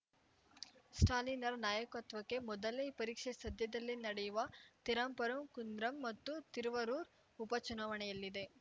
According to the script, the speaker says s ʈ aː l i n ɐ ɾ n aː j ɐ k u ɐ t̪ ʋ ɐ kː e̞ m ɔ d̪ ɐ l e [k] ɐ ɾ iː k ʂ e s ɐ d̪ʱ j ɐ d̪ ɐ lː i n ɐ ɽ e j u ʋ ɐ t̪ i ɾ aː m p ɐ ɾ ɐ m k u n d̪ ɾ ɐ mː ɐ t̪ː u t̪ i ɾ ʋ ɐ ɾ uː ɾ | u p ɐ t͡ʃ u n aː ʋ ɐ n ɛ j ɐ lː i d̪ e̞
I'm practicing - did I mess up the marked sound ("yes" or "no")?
yes